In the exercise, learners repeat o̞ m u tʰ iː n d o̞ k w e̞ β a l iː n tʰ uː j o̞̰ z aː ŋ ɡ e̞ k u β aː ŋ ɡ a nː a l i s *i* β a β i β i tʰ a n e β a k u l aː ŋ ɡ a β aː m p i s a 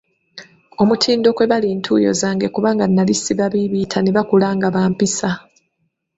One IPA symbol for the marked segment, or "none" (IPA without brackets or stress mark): i